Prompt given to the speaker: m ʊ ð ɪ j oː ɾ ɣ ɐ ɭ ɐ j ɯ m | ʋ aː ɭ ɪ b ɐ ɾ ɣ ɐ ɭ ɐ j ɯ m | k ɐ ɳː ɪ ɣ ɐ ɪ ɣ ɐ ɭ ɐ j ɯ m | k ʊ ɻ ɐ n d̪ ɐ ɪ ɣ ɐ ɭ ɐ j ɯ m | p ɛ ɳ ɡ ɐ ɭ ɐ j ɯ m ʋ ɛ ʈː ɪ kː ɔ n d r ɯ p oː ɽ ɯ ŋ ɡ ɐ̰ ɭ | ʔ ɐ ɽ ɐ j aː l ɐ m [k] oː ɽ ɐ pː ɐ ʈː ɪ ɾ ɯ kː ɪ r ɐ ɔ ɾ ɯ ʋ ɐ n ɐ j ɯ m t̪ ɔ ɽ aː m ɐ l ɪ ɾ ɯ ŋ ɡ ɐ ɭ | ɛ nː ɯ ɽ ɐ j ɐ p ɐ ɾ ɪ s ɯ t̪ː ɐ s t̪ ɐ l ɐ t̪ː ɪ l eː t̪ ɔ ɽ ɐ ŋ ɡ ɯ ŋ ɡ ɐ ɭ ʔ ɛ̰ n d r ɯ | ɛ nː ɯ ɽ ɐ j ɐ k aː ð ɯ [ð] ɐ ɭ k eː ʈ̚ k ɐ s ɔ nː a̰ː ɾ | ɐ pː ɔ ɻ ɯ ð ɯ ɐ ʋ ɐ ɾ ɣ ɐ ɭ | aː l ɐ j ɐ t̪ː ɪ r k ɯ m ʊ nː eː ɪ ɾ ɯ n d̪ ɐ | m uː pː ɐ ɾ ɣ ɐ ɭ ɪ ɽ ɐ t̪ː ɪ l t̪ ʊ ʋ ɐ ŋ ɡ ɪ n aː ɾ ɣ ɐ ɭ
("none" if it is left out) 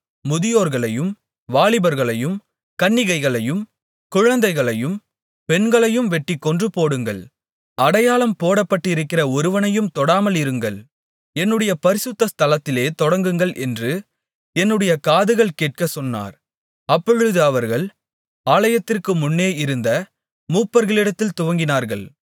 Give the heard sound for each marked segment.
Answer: p, ɣ

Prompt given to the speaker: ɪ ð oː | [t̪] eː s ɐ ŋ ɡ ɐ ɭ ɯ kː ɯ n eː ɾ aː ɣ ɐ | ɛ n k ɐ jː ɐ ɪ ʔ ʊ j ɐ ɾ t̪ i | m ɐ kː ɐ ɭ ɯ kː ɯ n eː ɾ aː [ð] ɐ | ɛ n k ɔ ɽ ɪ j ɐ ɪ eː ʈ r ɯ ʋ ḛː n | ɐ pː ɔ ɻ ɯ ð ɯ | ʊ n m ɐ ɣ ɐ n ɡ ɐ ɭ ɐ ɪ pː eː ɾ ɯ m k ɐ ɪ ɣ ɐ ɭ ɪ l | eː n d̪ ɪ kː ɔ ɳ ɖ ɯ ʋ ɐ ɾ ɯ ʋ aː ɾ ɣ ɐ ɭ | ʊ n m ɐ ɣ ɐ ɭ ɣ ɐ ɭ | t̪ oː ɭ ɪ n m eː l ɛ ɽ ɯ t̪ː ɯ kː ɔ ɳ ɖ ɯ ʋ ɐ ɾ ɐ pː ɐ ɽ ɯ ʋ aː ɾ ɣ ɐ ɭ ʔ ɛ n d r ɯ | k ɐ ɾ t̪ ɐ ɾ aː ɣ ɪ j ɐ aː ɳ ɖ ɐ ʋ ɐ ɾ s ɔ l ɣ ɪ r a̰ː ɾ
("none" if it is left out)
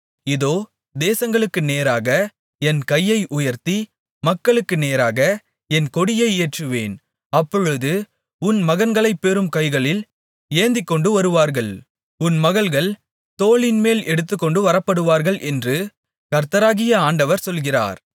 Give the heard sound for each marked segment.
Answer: d̪, ɣ

